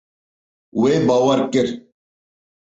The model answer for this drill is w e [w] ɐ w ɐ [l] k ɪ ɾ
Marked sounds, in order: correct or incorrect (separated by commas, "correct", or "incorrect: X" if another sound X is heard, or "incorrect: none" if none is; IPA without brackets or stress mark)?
incorrect: b, incorrect: ɾ